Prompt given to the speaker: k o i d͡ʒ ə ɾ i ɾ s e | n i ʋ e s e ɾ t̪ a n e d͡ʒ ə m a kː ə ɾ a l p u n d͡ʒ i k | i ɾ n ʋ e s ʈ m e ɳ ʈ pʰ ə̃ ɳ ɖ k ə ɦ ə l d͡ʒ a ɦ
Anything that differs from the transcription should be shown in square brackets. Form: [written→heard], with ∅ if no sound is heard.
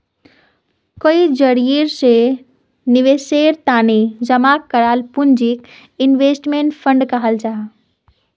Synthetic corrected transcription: k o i d͡ʒ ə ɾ i ɾ s e | n i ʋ e s e ɾ t̪ a n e d͡ʒ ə m a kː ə ɾ a l p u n d͡ʒ i k | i [ɾ→∅] n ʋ e s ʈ m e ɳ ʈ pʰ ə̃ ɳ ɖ k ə ɦ ə l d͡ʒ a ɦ

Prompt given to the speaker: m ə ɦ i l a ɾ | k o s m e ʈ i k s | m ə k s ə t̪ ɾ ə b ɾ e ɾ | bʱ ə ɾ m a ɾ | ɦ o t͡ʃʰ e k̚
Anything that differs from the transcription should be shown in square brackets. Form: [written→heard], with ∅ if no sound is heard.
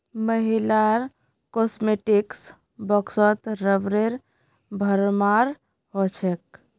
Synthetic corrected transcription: m ə ɦ i l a ɾ | k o s m e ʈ i k s | [m→b] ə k s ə t̪ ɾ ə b ɾ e ɾ | bʱ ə ɾ m a ɾ | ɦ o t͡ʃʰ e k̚

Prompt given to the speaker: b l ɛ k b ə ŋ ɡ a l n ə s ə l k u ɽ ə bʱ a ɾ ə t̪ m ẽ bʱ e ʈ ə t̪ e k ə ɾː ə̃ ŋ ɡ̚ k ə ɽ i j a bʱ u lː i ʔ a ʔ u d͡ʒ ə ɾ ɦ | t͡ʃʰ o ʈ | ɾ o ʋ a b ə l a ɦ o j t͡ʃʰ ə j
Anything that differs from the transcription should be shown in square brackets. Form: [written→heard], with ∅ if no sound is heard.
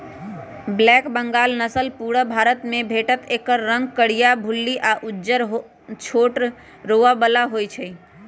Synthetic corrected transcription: b l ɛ k b ə ŋ ɡ a l n ə s ə l [k→p] u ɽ ə bʱ a ɾ ə t̪ m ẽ bʱ e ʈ ə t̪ e k ə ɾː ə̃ ŋ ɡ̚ k ə ɽ i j a bʱ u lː i ʔ a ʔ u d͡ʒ ə ɾ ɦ | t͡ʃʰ o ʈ | ɾ o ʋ a b ə l a ɦ o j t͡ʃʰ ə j

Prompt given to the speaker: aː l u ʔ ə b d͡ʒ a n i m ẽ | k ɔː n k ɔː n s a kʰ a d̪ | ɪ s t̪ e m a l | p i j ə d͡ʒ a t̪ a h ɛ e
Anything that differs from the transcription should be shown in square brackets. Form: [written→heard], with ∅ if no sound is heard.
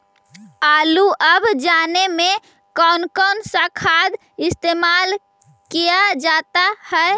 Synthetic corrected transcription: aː l u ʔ ə b d͡ʒ a n [i→e] m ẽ | k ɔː n k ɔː n s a kʰ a d̪ | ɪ s t̪ e m a l | [p→k] i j [ə→a] d͡ʒ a t̪ a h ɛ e

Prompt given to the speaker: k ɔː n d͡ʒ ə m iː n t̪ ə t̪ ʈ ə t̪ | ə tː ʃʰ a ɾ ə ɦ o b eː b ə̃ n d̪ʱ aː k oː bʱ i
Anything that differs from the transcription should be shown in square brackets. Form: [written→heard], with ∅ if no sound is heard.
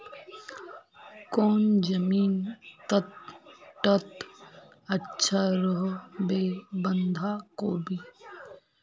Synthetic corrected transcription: k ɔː n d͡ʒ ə m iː n t̪ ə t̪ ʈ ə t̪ | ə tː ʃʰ a ɾ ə ɦ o b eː b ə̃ n d̪ʱ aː k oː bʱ i

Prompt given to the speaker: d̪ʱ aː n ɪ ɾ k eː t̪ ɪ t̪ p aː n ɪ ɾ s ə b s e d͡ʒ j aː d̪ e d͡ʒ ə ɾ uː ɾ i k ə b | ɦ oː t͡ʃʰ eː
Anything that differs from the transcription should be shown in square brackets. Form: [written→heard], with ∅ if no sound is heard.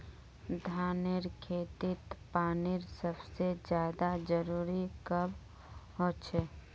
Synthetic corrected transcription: d̪ʱ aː n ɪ ɾ [k→kʰ] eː t̪ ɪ t̪ p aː n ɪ ɾ s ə b s e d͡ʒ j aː d̪ [e→a] d͡ʒ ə ɾ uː ɾ i k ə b | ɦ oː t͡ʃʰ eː

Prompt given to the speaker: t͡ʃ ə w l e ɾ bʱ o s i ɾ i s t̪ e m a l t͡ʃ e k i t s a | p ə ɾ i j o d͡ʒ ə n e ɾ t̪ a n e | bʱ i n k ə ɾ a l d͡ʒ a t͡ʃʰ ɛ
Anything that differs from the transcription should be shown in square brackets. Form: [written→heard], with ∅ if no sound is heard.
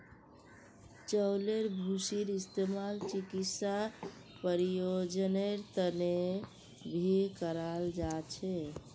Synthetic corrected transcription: t͡ʃ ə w l e ɾ bʱ [o→u] s i ɾ i s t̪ e m a l t͡ʃ [e→i] k i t s a | p ə ɾ i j o d͡ʒ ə n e ɾ t̪ [a→ə] n e | bʱ i [n→∅] k ə ɾ a l d͡ʒ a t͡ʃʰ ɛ

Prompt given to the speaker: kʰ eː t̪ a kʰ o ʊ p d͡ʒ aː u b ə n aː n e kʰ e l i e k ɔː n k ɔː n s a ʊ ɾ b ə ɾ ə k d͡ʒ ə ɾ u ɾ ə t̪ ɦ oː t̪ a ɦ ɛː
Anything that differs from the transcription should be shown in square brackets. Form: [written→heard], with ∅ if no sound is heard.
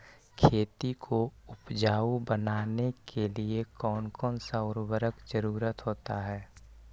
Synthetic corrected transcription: kʰ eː t̪ [a→i] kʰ o ʊ p d͡ʒ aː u b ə n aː n e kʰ e l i e k ɔː n k ɔː n s a ʊ ɾ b ə ɾ ə k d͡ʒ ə ɾ [u→uː] ɾ ə t̪ ɦ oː t̪ a ɦ ɛː

